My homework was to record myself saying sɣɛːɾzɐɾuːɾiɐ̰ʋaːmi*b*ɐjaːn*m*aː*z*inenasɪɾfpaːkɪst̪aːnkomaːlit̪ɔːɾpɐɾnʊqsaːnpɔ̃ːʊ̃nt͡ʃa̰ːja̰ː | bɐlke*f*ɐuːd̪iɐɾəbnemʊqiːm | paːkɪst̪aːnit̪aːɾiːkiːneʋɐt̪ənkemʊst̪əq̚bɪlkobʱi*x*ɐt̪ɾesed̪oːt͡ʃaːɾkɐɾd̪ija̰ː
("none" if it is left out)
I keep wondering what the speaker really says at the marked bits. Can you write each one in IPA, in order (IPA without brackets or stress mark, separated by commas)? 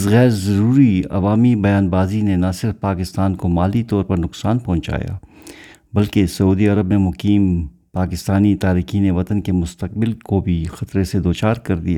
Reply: b, b, z, s, x